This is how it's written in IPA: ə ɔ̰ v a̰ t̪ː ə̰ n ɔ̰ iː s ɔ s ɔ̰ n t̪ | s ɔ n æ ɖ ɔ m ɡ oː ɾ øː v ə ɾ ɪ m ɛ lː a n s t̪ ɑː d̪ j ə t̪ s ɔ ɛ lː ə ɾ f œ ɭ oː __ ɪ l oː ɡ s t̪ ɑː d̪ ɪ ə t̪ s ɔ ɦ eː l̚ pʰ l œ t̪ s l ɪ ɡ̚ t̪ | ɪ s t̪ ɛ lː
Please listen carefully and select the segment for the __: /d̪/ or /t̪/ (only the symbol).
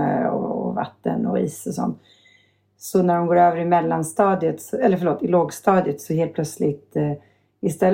t̪